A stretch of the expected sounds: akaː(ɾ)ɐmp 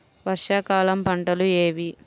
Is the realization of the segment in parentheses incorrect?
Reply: yes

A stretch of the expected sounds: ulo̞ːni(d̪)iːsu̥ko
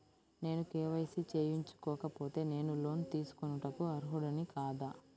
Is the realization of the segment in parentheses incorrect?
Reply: yes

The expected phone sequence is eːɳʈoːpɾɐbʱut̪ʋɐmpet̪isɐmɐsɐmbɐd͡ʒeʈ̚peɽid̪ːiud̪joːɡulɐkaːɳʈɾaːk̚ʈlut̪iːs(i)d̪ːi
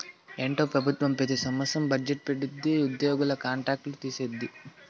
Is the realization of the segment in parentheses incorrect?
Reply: yes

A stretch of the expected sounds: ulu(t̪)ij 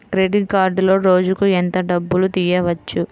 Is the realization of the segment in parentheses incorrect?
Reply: no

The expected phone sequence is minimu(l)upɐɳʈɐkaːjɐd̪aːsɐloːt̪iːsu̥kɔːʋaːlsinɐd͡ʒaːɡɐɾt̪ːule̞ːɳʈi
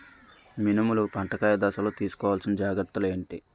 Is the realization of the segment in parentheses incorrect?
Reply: no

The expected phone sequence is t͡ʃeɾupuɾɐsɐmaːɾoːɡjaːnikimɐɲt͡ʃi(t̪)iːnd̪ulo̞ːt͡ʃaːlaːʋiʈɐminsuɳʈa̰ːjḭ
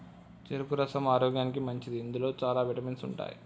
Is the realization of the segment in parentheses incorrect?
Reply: yes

